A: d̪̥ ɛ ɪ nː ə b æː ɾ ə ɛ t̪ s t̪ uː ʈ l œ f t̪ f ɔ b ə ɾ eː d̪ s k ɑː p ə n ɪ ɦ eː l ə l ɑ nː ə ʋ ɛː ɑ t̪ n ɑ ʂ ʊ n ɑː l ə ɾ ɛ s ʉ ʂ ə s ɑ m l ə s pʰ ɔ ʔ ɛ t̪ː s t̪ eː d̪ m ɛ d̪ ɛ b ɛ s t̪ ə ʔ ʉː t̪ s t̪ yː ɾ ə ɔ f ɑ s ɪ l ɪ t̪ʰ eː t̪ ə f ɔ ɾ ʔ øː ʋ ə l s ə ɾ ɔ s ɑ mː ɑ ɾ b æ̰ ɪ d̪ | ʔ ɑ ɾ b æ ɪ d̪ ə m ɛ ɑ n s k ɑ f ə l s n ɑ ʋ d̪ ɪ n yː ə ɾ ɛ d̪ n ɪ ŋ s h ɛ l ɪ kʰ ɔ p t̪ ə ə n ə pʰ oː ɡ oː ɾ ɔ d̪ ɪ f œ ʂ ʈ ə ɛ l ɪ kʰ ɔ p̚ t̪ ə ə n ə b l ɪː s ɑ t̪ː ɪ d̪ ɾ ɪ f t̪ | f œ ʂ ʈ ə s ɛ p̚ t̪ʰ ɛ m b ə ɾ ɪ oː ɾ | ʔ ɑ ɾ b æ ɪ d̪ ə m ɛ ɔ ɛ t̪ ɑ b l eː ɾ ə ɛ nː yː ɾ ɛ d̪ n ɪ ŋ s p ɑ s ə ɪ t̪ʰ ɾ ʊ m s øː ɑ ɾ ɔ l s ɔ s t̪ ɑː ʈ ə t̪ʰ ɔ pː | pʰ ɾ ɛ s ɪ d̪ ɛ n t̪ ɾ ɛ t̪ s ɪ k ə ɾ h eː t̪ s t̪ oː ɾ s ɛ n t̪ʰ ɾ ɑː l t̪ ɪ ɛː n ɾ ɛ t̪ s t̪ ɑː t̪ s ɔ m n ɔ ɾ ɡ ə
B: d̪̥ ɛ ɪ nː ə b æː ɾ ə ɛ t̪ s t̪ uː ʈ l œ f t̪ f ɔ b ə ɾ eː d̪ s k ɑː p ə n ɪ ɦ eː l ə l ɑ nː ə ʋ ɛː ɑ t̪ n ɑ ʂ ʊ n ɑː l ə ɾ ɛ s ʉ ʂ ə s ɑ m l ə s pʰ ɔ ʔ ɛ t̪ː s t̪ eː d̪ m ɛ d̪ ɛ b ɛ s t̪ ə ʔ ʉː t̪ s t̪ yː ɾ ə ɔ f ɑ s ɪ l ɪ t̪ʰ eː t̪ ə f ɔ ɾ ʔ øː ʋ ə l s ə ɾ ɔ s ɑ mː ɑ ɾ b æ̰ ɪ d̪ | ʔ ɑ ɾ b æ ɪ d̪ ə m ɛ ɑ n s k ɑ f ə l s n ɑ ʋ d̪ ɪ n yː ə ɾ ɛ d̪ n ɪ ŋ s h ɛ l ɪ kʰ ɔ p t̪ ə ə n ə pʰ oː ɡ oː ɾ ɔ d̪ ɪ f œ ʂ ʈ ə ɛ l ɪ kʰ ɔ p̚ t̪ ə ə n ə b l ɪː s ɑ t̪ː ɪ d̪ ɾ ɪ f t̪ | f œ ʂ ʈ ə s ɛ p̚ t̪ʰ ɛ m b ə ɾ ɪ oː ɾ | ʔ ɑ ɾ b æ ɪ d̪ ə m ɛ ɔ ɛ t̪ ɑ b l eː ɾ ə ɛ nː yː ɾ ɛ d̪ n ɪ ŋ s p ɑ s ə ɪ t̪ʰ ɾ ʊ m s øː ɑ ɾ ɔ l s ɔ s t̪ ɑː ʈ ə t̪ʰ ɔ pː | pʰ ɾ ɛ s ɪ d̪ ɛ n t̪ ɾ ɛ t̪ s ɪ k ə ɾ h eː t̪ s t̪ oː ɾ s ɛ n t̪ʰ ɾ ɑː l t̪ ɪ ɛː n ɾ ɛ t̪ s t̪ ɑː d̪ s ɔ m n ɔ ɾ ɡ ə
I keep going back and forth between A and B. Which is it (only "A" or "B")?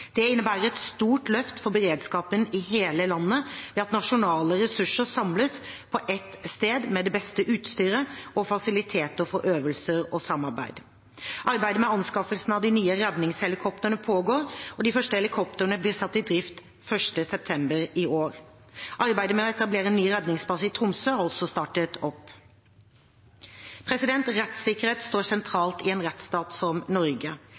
A